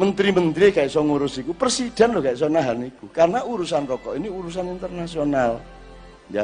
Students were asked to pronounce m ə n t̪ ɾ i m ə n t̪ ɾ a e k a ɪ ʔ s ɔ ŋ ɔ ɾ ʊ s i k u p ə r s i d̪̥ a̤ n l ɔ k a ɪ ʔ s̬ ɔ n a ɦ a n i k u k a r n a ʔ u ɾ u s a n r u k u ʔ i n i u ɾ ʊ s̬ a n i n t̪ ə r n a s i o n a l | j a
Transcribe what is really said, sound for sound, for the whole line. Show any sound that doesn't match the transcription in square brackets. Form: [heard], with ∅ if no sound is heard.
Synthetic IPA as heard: m ə n t̪ ɾ i m ə n t̪ ɾ [i] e k a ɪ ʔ s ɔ ŋ [u] ɾ ʊ s i k u p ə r s i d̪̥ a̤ n l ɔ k a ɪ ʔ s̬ ɔ n a ɦ a n i k u k a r n a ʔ u ɾ u s a n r [ɔ] k [ɔ] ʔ i n i u ɾ [u] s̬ a n i n t̪ ə r n a s i o n a l | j a